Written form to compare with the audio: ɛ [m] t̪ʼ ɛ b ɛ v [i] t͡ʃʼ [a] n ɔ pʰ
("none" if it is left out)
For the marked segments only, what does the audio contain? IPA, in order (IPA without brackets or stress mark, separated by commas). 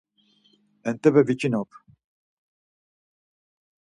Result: n, i, i